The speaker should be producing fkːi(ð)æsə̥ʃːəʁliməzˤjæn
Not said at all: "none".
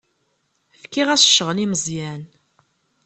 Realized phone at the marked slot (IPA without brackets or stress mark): ʁ